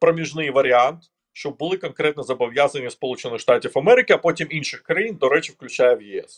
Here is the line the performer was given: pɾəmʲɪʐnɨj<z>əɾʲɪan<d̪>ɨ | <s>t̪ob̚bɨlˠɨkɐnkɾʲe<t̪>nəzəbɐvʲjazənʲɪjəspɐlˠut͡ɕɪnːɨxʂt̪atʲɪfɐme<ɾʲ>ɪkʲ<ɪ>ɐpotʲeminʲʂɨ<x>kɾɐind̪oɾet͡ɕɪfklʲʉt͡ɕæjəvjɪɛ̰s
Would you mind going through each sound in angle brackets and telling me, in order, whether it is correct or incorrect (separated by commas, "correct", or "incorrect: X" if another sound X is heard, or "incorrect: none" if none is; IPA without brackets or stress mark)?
incorrect: v, incorrect: t̪, incorrect: ʂ, correct, correct, correct, correct